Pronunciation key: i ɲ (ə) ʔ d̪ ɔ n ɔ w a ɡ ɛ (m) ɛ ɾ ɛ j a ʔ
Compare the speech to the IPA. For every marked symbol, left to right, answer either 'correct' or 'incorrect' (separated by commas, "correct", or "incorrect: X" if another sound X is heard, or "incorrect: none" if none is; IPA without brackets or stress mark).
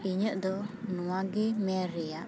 correct, correct